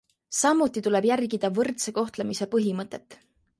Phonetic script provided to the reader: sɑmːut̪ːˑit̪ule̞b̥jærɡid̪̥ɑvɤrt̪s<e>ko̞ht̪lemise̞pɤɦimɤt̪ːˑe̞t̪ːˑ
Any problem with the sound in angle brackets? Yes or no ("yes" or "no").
no